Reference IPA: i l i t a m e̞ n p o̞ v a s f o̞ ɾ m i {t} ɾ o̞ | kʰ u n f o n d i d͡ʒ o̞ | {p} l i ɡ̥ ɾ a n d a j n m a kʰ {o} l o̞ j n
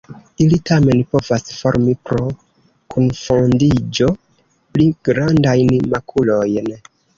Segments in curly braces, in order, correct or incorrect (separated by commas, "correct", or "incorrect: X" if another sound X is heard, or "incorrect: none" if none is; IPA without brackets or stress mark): incorrect: p, correct, incorrect: u